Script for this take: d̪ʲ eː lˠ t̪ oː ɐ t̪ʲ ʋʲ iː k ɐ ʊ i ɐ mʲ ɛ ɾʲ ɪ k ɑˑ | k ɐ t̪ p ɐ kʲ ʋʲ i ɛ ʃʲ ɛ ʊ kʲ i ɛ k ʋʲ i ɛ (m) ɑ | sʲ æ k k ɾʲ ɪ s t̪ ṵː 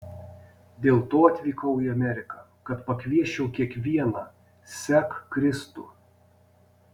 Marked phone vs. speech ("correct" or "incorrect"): incorrect